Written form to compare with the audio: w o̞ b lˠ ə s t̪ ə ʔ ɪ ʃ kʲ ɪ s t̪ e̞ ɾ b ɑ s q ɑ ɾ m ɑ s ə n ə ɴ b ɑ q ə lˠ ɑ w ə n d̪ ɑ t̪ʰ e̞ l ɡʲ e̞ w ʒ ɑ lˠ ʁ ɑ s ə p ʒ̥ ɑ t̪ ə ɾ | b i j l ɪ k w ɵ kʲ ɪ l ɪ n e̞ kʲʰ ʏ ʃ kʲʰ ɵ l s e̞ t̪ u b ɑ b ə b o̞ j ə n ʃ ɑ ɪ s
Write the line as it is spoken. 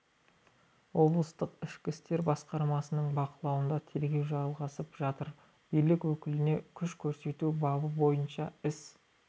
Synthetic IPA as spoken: w o̞ b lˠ ə s t̪ ə q ɪ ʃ kʲ ɪ s t̪ e̞ ɾ b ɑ s q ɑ ɾ m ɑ s ə n ə ɴ b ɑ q ə lˠ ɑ w ə n d̪ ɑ t̪ʰ e̞ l ɡʲ e̞ w ʒ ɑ lˠ ʁ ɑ s ə p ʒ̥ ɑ t̪ ə ɾ | b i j l ɪ k w ɵ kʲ ɪ l ɪ n e̞ kʲʰ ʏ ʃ kʲʰ ɵ ɾ s e̞ t̪ u b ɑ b ə b o̞ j ə n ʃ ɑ ɪ s